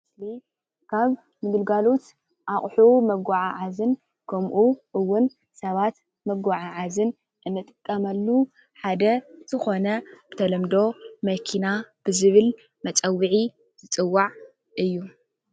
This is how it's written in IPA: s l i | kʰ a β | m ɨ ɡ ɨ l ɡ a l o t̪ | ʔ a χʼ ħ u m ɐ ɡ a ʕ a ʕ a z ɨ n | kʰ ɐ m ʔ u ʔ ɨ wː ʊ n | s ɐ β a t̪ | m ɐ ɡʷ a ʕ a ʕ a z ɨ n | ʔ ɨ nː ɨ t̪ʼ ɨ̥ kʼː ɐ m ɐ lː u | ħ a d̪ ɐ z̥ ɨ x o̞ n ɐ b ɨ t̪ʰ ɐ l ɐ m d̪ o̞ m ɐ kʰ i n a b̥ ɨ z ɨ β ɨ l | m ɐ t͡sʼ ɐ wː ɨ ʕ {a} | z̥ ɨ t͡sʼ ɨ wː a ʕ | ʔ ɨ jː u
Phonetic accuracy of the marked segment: incorrect: i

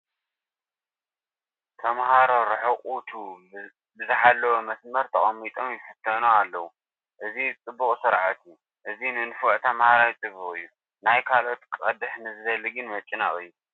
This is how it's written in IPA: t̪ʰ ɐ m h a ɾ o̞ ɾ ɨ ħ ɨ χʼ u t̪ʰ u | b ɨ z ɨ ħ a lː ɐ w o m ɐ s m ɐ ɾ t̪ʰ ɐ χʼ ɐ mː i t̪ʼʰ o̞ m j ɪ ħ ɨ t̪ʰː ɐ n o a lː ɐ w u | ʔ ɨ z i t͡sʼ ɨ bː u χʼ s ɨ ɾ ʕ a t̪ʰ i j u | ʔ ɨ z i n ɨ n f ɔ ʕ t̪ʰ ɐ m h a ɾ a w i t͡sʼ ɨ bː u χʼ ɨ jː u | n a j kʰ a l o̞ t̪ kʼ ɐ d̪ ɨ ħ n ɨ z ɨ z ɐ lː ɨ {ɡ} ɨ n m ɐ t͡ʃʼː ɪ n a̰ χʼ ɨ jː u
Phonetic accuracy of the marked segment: correct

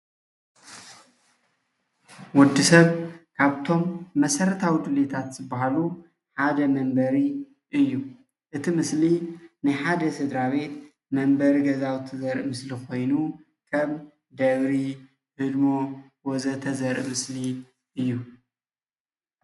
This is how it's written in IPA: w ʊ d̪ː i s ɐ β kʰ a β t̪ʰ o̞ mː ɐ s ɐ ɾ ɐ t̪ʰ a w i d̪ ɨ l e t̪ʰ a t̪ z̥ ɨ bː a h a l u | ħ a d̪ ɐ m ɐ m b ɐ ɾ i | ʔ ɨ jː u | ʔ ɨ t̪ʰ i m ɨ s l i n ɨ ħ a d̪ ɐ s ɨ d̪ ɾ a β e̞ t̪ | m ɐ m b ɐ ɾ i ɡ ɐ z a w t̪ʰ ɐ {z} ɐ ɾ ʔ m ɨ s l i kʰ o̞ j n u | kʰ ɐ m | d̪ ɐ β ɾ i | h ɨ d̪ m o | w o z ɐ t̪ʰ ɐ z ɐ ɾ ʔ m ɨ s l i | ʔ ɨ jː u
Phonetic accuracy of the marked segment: correct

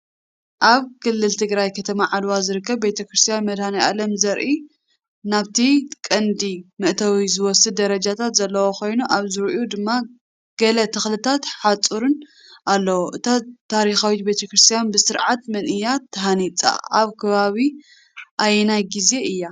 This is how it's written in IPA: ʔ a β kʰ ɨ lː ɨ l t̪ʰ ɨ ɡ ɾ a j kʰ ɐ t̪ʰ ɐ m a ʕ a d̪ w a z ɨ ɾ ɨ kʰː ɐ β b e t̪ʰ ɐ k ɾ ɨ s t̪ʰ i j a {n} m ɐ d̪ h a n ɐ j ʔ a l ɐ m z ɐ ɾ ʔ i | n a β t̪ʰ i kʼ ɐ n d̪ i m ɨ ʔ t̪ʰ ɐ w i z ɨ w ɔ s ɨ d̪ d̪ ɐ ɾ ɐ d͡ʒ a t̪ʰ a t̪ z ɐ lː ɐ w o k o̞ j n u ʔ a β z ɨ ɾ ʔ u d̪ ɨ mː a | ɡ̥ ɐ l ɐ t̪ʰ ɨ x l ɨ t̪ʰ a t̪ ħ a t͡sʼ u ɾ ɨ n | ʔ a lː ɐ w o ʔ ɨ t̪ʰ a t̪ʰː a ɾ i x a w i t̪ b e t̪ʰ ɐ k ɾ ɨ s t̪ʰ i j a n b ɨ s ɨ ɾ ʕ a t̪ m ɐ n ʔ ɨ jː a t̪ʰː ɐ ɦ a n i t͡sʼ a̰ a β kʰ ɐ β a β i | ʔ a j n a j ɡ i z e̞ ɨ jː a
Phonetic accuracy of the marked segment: correct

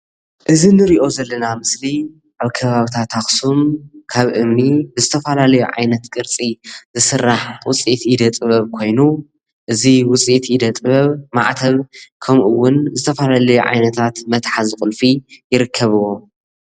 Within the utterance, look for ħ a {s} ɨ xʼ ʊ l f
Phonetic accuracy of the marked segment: incorrect: z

